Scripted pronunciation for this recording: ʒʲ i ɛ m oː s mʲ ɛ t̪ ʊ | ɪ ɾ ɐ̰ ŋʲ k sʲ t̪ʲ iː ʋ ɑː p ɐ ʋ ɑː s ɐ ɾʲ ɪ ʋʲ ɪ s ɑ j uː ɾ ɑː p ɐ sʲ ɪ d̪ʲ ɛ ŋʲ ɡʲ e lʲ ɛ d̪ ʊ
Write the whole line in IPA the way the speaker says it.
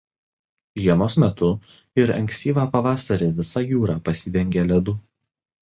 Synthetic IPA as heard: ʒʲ i ɛ m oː s mʲ ɛ t̪ ʊ | ɪ ɾ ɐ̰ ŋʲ k sʲ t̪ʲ iː ʋ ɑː p ɐ ʋ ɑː s ɐ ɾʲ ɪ ʋʲ ɪ s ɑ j uː ɾ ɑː p ɐ sʲ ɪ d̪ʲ ɛ ŋʲ ɡʲ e lʲ ɛ d̪ ʊ

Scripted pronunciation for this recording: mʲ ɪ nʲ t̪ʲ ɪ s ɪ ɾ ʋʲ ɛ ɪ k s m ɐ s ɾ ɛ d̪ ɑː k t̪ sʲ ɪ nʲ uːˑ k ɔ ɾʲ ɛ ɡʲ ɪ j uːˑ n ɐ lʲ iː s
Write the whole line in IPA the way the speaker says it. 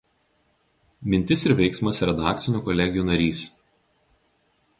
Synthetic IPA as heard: mʲ ɪ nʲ t̪ʲ ɪ s ɪ ɾ ʋʲ ɛ ɪ k s m ɐ s ɾ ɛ d̪ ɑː k t̪ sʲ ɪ nʲ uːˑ k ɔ lʲ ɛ ɡʲ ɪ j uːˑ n ɐ ɾʲ iː s

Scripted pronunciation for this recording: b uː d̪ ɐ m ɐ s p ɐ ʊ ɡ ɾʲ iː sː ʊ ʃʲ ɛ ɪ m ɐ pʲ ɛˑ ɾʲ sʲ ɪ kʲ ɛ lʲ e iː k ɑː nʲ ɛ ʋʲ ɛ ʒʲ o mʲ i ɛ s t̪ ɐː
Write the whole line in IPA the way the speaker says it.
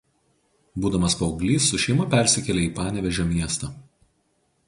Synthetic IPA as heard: b uː d̪ ɐ m ɐ s p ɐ ʊ ɡ lʲ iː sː ʊ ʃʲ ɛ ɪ m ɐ pʲ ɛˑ ɾʲ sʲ ɪ kʲ ɛ lʲ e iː p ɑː nʲ ɛ ʋʲ ɛ ʒʲ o mʲ i ɛ s t̪ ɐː

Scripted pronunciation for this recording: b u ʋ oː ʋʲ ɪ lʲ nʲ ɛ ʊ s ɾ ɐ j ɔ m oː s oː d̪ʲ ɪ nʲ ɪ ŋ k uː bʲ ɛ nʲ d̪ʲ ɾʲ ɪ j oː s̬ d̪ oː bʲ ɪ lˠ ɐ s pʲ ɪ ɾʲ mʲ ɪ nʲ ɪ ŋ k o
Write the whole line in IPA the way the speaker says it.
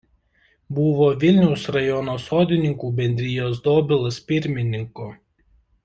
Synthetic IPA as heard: b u ʋ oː ʋʲ ɪ lʲ nʲ ɛ ʊ s ɾ ɐ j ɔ n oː s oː d̪ʲ ɪ nʲ ɪ ŋ k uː bʲ ɛ nʲ d̪ʲ ɾʲ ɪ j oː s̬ d̪ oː bʲ ɪ lˠ ɐ s pʲ ɪ ɾʲ mʲ ɪ nʲ ɪ ŋ k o

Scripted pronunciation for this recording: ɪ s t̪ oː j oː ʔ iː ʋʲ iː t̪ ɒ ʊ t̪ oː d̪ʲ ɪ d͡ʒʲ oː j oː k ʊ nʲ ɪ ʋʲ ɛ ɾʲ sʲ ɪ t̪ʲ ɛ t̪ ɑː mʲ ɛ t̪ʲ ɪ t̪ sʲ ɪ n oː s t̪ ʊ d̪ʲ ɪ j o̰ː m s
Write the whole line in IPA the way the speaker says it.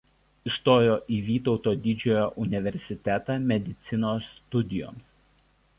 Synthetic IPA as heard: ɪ s t̪ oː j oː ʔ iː ʋʲ iː t̪ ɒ ʊ t̪ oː d̪ʲ ɪ d͡ʒʲ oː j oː ʔ ʊ nʲ ɪ ʋʲ ɛ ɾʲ sʲ ɪ t̪ʲ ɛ t̪ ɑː mʲ ɛ d̪ʲ ɪ t̪ sʲ ɪ n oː s t̪ ʊ d̪ʲ ɪ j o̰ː m s

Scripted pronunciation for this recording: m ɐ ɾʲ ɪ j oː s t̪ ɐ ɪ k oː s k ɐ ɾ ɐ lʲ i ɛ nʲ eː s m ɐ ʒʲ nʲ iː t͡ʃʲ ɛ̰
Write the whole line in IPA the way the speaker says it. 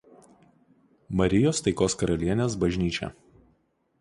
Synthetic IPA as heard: m ɐ ɾʲ ɪ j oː s t̪ ɐ ɪ k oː s k ɐ ɾ ɐ lʲ i ɛ nʲ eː s b ɐ ʒʲ nʲ iː t͡ʃʲ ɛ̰

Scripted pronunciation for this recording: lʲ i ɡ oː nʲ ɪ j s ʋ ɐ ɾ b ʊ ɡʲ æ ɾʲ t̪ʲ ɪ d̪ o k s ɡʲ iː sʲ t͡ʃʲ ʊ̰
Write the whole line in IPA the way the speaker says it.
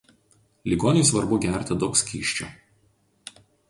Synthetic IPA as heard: lʲ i ɡ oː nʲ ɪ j s ʋ ɐ ɾ b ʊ ɡʲ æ ɾʲ t̪ʲ ɪ d̪ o k s kʲ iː ʃʲ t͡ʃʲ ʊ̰

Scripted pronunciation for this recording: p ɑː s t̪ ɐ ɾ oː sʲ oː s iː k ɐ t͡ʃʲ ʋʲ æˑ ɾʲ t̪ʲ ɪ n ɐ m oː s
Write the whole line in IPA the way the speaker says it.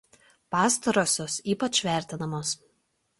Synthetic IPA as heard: p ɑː s t̪ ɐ ɾ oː sʲ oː s iː p ɐ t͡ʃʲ ʋʲ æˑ ɾʲ t̪ʲ ɪ n ɐ m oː s

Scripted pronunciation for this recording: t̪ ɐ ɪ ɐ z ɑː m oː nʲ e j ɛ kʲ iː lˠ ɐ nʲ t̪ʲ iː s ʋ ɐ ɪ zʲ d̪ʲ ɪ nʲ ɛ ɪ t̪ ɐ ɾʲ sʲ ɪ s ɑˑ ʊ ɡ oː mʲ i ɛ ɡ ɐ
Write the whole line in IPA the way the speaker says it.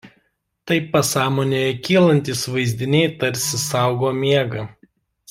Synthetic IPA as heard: t̪ ɐ ɪ ɐ s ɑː m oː nʲ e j ɛ kʲ iː lˠ ɐ nʲ t̪ʲ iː s ʋ ɐ ɪ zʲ d̪ʲ ɪ nʲ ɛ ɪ t̪ ɐ ɾʲ sʲ ɪ s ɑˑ ʊ ɡ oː mʲ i ɛ ɡ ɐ

